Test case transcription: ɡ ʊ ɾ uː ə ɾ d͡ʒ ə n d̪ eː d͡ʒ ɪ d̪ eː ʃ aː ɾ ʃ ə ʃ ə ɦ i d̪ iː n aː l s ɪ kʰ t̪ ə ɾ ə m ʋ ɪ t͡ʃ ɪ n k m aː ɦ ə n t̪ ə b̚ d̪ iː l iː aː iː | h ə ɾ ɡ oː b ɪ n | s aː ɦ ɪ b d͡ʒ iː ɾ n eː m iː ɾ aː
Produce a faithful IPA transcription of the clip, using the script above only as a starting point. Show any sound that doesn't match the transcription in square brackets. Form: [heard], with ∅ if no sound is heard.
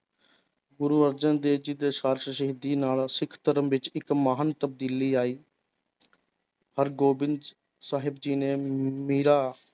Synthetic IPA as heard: ɡ ʊ ɾ uː ə ɾ d͡ʒ ə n d̪ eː d͡ʒ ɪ d̪ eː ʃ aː ɾ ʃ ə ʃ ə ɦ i d̪ iː n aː l s ɪ kʰ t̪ ə ɾ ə m ʋ ɪ t͡ʃ ɪ [∅] k m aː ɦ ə n t̪ ə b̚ d̪ iː l iː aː iː | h ə ɾ ɡ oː b ɪ n | s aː ɦ ɪ b d͡ʒ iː [∅] n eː m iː ɾ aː